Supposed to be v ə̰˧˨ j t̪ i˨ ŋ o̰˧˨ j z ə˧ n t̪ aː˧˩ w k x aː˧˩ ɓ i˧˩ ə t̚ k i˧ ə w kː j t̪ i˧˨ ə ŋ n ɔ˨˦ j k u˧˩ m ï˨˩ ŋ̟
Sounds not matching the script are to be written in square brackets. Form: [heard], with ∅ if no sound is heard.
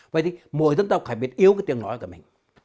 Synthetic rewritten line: v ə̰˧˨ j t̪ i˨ [m] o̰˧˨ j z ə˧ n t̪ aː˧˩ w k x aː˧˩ ɓ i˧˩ ə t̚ [ʔ] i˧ ə w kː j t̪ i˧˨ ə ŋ n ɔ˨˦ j k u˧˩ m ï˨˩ ŋ̟